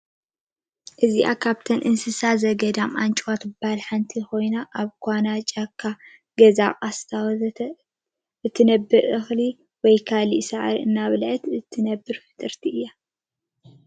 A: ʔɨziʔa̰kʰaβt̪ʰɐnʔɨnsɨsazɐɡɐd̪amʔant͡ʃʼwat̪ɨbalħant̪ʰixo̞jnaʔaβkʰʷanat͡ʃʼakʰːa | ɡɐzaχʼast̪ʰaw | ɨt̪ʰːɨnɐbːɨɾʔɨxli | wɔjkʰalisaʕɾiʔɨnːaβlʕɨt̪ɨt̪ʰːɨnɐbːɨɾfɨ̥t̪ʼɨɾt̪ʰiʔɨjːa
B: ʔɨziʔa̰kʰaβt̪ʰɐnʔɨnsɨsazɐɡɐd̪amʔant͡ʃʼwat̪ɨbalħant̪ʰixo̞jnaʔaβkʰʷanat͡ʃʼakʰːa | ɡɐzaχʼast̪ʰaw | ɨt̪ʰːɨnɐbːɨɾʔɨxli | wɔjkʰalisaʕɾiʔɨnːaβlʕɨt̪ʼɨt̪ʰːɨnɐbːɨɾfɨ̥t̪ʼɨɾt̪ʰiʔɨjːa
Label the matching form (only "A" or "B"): A